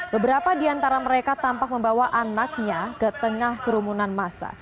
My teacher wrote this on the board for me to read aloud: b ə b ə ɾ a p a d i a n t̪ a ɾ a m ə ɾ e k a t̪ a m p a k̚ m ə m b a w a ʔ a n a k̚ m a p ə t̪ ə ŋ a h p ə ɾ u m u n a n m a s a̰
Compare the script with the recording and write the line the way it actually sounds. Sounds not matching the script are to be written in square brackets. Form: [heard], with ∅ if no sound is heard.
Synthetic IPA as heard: b ə b ə ɾ a p a d i a n t̪ a ɾ a m ə ɾ e k a t̪ a m p a k̚ m ə m b a w a ʔ a n a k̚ [ɲ] a [k] ə t̪ ə ŋ a h [k] ə ɾ u m u n a n m a s a̰